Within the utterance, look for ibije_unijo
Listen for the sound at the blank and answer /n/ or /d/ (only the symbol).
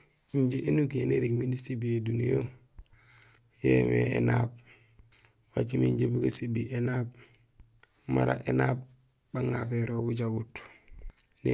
d